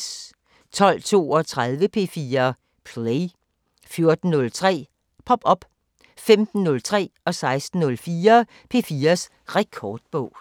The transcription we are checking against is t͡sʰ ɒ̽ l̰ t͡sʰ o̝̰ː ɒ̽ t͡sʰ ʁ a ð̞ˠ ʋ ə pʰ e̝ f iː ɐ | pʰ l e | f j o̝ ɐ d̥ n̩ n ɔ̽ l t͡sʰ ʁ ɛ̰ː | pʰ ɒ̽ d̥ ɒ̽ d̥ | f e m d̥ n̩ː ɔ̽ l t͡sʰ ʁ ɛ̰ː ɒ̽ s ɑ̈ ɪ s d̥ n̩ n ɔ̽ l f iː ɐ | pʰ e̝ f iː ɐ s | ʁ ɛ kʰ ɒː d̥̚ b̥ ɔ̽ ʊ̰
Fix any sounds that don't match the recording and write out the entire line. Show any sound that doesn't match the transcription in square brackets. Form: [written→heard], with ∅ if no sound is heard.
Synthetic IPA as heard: t͡sʰ ɒ̽ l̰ t͡sʰ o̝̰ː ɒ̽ t͡sʰ ʁ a ð̞ˠ ʋ ə pʰ e̝ f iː ɐ | pʰ l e | f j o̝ ɐ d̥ n̩ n ɔ̽ l t͡sʰ ʁ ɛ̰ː | pʰ ɒ̽ [d̥→b̥] ɒ̽ [d̥→b̥] | f e m d̥ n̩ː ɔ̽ l t͡sʰ ʁ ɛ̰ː ɒ̽ s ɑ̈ ɪ s d̥ n̩ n ɔ̽ l f iː ɐ | pʰ e̝ f iː ɐ s | ʁ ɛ kʰ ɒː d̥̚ b̥ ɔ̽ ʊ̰